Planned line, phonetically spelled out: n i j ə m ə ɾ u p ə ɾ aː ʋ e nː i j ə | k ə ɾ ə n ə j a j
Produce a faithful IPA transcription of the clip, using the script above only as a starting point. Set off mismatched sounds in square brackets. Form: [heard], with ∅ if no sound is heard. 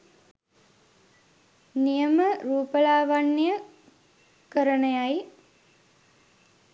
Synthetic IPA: n i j ə m ə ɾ [uː] p ə [l] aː ʋ [a] nː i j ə | k ə ɾ ə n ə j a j